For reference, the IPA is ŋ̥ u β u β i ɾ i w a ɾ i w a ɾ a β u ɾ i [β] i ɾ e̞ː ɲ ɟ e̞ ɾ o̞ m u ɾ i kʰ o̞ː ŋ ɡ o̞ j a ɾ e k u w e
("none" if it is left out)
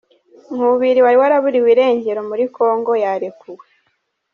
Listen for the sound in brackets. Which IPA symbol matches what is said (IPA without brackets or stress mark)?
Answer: w